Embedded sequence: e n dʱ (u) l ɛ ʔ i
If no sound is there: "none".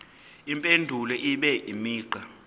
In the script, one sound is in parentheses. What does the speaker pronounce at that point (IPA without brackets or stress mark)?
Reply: u